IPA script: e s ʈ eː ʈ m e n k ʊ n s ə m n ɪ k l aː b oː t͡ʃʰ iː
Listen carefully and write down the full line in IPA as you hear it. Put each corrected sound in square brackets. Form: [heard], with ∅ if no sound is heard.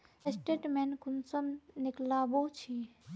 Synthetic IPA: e s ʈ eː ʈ m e n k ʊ n s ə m n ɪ k l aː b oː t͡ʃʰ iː